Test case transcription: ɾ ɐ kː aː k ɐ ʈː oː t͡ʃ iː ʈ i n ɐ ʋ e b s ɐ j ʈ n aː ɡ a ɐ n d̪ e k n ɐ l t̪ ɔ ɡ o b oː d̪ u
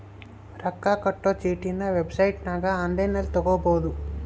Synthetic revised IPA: ɾ ɐ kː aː k ɐ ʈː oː t͡ʃ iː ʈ i n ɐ ʋ e b s ɐ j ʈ n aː ɡ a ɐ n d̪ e n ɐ l t̪ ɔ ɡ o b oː d̪ u